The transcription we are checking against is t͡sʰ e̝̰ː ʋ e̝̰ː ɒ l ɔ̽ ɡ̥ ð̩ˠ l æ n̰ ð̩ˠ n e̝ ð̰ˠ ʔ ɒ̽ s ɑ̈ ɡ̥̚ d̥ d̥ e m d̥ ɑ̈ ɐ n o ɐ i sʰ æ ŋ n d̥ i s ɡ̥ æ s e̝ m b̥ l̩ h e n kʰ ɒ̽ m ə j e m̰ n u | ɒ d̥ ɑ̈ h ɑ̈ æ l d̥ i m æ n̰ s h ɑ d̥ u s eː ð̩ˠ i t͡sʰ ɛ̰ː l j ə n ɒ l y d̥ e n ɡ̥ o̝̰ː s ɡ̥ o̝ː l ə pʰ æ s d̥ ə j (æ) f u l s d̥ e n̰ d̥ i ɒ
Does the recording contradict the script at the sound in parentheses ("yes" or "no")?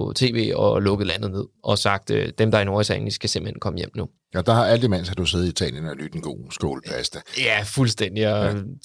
no